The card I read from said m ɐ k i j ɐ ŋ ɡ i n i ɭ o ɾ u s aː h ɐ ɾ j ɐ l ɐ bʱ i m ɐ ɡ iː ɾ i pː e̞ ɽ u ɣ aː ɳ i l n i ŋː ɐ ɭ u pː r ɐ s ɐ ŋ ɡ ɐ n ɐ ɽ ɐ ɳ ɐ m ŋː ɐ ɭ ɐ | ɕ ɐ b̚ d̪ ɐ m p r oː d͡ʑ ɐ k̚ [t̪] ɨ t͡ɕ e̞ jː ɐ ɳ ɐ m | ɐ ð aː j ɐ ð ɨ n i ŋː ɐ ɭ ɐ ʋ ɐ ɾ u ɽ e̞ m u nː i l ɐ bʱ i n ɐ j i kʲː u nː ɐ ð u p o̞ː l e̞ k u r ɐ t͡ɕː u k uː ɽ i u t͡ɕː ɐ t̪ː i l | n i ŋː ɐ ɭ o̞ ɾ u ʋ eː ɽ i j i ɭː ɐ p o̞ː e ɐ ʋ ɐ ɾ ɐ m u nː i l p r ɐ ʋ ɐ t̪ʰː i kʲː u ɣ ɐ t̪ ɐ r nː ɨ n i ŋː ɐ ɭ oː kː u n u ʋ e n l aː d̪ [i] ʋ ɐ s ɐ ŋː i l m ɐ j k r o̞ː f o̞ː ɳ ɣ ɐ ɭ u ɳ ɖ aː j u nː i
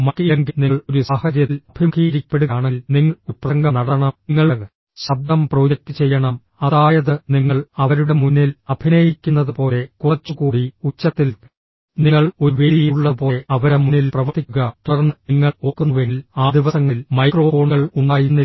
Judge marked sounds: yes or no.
yes, yes

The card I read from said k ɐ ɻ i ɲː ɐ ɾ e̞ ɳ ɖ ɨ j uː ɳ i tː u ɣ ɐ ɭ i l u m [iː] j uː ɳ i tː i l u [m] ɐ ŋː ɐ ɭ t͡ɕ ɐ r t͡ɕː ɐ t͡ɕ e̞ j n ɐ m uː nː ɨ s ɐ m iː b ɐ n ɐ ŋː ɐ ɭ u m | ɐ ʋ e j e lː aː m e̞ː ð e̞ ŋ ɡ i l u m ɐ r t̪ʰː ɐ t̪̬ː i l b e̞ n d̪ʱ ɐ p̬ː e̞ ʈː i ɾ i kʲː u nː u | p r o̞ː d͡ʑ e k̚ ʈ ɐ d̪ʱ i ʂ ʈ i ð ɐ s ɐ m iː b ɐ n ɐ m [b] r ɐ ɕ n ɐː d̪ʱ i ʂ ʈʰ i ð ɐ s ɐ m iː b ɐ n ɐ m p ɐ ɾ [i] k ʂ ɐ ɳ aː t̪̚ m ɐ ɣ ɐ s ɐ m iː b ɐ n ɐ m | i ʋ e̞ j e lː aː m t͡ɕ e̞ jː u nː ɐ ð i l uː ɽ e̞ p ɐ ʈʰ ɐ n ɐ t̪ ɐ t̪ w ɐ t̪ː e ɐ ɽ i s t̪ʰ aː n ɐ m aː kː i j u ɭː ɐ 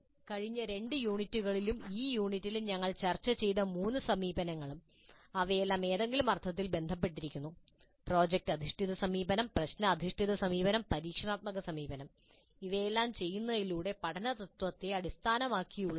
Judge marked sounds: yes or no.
yes, no, no, no

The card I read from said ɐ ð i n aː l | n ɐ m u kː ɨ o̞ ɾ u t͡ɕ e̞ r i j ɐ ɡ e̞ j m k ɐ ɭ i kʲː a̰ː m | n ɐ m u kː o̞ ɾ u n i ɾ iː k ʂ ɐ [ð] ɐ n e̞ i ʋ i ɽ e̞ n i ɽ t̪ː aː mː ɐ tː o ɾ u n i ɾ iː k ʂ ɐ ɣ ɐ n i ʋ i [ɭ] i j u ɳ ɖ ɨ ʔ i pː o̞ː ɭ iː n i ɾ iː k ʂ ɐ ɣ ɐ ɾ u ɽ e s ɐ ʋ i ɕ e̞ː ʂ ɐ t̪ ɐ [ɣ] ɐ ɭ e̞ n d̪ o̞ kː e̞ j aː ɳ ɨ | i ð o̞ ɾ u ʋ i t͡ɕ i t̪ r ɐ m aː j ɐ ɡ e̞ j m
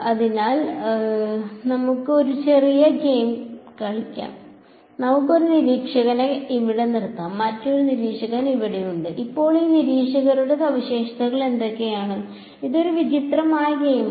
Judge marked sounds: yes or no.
no, no, yes

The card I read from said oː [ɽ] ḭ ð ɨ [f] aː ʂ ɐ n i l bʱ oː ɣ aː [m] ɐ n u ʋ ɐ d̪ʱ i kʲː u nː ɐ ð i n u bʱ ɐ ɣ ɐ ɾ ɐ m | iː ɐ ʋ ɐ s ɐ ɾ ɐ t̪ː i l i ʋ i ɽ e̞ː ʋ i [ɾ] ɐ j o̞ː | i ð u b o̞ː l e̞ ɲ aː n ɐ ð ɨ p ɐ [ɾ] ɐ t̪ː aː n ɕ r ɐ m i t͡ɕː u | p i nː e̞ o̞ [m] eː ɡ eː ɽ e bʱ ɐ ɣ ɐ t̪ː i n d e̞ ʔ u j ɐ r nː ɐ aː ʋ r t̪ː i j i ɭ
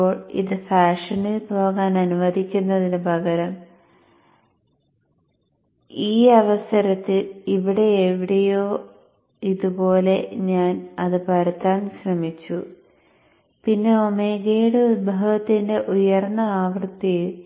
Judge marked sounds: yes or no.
no, yes, no, no, yes, yes

